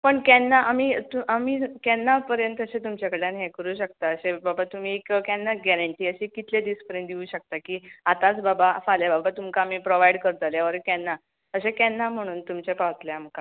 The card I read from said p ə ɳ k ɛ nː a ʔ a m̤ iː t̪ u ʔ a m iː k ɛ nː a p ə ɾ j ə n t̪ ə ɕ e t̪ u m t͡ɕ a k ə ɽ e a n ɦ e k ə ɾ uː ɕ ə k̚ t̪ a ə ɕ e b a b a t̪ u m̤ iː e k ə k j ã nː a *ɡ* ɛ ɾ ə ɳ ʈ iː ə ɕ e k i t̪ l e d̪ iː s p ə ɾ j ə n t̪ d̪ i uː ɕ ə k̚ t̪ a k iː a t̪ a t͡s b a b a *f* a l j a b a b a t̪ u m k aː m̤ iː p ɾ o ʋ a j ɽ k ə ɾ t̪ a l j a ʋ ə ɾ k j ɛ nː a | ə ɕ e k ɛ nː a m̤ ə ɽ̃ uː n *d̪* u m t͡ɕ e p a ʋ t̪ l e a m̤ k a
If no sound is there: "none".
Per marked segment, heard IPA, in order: ɡ, f, t̪

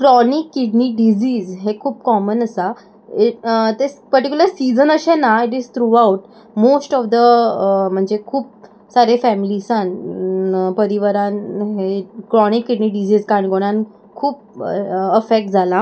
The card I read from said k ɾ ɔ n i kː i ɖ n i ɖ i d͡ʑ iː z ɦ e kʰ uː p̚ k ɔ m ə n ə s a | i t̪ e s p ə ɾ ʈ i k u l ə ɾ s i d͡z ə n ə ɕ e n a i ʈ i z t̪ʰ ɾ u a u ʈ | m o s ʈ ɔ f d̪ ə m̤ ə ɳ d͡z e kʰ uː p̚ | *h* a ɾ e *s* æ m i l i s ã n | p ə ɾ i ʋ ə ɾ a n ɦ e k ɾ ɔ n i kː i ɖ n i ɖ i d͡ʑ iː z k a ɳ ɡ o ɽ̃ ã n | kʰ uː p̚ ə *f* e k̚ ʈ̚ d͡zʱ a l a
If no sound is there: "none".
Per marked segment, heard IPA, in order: s, f, f

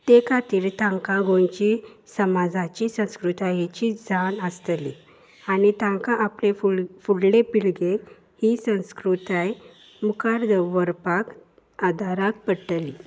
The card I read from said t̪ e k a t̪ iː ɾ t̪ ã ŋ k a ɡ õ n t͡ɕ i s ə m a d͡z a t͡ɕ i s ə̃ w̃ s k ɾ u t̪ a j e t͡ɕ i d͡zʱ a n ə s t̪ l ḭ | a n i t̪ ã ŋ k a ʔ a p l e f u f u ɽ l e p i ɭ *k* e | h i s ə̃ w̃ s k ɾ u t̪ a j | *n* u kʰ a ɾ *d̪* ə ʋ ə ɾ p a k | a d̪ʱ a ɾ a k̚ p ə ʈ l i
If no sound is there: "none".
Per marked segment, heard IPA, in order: ɡ, m, d̪

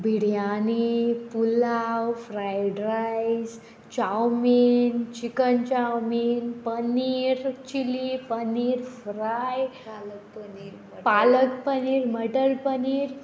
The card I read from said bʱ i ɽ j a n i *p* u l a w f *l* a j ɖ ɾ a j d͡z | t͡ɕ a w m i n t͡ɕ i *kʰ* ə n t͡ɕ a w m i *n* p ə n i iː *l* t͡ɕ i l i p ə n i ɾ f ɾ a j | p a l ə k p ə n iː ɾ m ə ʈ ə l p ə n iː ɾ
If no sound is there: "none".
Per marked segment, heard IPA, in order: p, ɾ, k, n, ɾ

